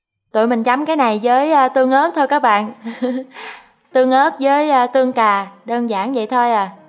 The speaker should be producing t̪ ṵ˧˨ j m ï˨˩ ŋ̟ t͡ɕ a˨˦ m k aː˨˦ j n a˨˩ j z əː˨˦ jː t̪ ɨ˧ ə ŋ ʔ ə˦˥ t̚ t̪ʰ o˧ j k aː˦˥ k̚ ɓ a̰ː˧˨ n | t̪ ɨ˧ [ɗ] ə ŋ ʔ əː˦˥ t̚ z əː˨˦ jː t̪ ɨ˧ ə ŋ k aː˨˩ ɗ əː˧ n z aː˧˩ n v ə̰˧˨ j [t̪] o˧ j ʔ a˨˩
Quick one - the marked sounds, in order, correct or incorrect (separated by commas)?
incorrect, incorrect